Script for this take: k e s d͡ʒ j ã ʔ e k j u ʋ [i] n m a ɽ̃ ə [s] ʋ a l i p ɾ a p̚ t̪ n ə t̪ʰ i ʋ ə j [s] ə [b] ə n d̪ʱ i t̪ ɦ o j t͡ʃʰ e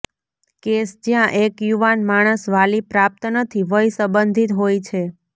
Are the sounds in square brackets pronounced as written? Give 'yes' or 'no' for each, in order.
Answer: no, yes, yes, yes

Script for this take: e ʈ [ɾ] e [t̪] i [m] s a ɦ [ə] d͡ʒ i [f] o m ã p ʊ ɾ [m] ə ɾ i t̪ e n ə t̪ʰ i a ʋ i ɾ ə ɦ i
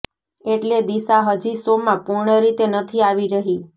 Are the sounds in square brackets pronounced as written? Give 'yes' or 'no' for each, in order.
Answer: no, no, no, yes, no, no

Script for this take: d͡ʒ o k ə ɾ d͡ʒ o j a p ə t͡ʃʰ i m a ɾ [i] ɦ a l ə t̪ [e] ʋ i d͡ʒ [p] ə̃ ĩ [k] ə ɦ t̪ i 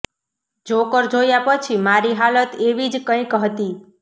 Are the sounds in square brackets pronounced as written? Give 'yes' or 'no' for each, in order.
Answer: yes, yes, no, yes

